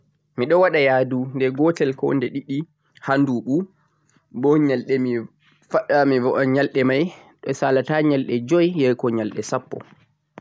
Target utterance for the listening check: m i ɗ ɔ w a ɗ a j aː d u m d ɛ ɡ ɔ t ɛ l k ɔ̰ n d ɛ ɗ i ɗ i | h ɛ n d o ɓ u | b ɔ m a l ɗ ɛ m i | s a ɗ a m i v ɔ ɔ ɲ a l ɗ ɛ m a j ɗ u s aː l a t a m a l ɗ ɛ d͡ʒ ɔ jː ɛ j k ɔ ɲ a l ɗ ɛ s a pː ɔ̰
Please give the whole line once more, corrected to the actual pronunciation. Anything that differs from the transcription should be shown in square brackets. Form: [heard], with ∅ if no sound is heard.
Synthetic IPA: m i ɗ ɔ w a ɗ a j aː d u [n] d ɛ ɡ ɔ t ɛ l k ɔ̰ n d ɛ ɗ i ɗ i | h [a] n d [u] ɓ u | b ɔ [ɲ] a l ɗ ɛ m i | [f] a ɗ a m i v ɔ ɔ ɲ a l ɗ ɛ m a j ɗ [ɔ] s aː l a t a [ɲ] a l ɗ ɛ d͡ʒ ɔ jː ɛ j k ɔ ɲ a l ɗ ɛ s a pː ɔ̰